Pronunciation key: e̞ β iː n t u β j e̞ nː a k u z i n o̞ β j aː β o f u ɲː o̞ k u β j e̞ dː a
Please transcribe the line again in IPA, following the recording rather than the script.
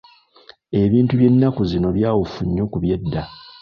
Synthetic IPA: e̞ β iː n t u β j e̞ nː a k u z i n o̞ β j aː w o f u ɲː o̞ k u β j e̞ dː a